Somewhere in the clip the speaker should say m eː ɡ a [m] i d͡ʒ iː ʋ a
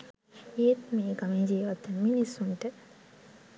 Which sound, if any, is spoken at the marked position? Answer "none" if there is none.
m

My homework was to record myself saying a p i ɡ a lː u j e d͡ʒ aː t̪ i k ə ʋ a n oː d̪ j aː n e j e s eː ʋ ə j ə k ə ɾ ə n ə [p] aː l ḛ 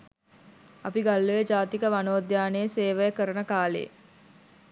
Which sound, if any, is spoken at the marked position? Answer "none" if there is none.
k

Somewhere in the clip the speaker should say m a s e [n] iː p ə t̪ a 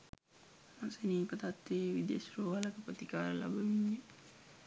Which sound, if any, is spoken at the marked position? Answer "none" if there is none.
n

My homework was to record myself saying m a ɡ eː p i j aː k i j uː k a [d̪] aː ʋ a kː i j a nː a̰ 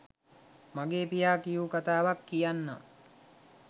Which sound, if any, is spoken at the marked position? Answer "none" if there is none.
t̪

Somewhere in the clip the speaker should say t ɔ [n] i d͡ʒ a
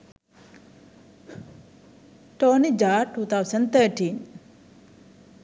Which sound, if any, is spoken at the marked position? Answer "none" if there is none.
n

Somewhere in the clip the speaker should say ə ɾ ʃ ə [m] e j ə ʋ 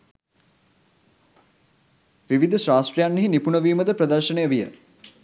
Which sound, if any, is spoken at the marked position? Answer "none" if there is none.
n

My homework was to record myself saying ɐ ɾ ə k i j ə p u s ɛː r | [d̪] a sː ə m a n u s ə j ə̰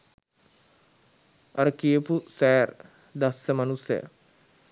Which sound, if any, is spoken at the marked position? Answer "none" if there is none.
d̪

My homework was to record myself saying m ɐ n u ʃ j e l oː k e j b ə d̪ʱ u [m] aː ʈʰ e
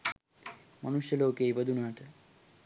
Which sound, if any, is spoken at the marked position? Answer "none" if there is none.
n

